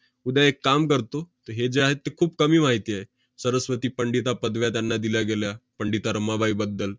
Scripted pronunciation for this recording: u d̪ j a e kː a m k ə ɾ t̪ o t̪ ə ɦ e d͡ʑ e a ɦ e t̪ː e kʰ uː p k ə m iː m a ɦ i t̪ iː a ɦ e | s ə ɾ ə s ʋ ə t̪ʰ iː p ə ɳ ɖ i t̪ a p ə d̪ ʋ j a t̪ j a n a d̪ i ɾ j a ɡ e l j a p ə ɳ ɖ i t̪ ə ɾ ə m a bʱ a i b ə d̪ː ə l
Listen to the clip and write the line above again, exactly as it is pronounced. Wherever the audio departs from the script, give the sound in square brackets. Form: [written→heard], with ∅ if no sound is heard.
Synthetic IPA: u d̪ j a e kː a m k ə ɾ t̪ o t̪ ə ɦ e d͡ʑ e a ɦ e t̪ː e kʰ uː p k ə m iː m a ɦ i t̪ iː a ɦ e | s ə ɾ ə s ʋ ə [t̪ʰ→t̪] iː p ə ɳ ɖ i t̪ a p ə d̪ ʋ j a t̪ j a [n→nː] a d̪ i [ɾ→l] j a ɡ e l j a p ə ɳ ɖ i t̪ [ə→a] ɾ ə m a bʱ a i b ə d̪ː ə l